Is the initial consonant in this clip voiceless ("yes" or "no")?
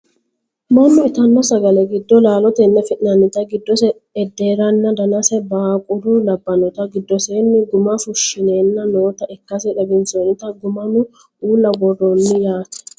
no